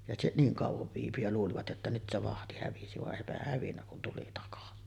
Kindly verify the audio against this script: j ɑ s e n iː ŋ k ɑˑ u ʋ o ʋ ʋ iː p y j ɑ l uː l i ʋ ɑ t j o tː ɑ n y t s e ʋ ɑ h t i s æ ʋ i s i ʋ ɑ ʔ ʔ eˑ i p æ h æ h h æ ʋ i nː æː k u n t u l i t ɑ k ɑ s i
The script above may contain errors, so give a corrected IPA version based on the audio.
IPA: j ɑ s e n iː ŋ k ɑˑ u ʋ o ʋ ʋ iː p y j ɑ l uː l i ʋ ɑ t j o tː ɑ n y t s e ʋ ɑ h t i h æ ʋ i s i ʋ ɑ ʔ ʔ eˑ i p æ h æ h h æ ʋ i nː æ k u n t u l i t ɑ k ɑ s i

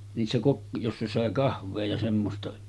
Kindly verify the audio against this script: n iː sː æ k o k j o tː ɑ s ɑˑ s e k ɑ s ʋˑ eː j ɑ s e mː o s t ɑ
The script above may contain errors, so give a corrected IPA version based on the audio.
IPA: n iː sː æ k o k j o sː ɑ s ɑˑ e k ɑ h ʋˑ eː j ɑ s e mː o s t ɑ

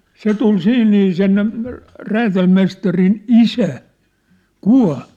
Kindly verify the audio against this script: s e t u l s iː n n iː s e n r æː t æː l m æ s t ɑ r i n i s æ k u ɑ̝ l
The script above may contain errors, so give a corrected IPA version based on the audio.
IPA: s e t u l s iː n n iː s e n r æː t æ l m e s t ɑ r i n i s æ k u ɑ̝ l

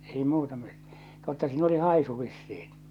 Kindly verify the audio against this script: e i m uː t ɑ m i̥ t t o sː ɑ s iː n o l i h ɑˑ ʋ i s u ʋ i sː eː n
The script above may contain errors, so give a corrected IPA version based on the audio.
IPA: e i m uː t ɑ m i̥ t t o tː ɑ s iː n o l i h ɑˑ i s u ʋ i sː iː n

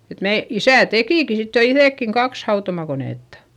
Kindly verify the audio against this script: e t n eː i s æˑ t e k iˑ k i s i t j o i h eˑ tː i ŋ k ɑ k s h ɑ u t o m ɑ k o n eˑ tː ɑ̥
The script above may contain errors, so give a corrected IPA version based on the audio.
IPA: e t m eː i s æˑ t e k iˑ k i s i t j o i θ eˑ kː i ŋ k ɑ k s h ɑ u t o m ɑ k o n eˑ tː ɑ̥

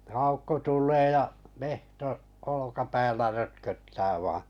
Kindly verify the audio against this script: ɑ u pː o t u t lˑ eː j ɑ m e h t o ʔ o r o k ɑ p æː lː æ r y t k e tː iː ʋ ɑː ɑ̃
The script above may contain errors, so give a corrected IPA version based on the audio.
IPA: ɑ u kː o t u lˑ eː j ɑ m e h t o ʔ o l o k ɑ p æː lː æ r ø t k ø tː æː ʋ ɑː ɑ̃

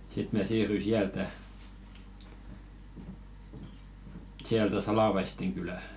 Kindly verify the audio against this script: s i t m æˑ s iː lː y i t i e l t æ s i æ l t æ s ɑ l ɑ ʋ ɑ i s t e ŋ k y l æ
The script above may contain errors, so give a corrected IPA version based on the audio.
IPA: s i t m æˑ s iː rː y i s i æ l t æ s i æ l t æ s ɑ l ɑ ʋ ɑ i s t e ŋ k y l æ

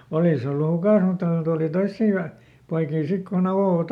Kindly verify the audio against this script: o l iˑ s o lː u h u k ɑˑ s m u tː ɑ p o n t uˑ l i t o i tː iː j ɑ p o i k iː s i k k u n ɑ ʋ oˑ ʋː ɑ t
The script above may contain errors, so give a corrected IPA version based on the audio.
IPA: o l iˑ s o lː u h u k ɑˑ s m u tː ɑ k o n t uˑ l i t o i sː iː j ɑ p o i k iː s i k k u n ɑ ʋ oˑ ʋ ɑ t

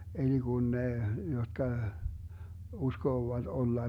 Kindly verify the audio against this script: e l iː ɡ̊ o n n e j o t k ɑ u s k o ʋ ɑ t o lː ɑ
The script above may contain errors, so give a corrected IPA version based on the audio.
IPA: e l i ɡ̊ u n n e j o t k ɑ u s k oː ʋ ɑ t o lː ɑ

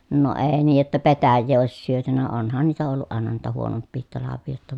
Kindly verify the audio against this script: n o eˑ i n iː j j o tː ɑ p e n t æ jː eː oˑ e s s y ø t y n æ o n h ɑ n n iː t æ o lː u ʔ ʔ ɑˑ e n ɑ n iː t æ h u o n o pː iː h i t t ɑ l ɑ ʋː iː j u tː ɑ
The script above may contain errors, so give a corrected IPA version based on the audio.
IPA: n o eˑ i n iː j j o tː ɑ p e t æ jː eː oˑ i s s y ø t y n æ o n h ɑ n n iː t æ o lː u ʔ ʔ ɑˑ e n ɑ n iː t æ h u o n o pː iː h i t t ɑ l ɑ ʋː iː j o tː ɑ

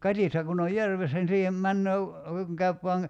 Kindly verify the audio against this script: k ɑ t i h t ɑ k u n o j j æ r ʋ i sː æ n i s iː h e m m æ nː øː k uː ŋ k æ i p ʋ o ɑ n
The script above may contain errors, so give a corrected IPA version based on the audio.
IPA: k ɑ t i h t ɑ k u n o j j æ r ʋ e sː æ n i s iː h e m m æ nː øː k u ŋ k æ y p ʋ o ɑ ŋ

